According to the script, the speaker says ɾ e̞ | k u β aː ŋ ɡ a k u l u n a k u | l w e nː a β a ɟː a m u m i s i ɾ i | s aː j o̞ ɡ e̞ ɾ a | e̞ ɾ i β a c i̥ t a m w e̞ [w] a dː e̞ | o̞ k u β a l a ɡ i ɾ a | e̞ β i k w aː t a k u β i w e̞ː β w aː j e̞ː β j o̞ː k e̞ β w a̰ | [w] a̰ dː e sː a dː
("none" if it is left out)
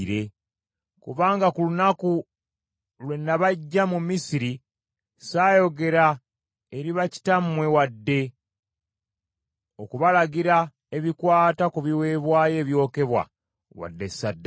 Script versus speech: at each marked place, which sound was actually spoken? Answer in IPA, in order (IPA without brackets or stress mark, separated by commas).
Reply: w, w